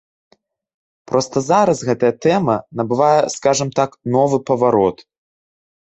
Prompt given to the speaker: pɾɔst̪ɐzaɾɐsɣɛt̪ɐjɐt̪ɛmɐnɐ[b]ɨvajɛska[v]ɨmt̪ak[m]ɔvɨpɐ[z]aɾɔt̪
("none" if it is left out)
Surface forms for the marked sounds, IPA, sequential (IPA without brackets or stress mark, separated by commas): b, ʐ, n, v